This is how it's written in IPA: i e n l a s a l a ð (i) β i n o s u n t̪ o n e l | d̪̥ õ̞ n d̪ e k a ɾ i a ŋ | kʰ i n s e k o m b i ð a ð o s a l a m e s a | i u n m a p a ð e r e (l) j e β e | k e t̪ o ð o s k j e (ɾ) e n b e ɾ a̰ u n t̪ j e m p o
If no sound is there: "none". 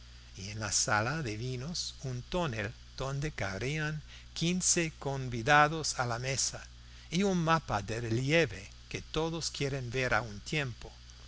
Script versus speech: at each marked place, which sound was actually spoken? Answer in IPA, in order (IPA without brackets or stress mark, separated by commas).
e, l, ɾ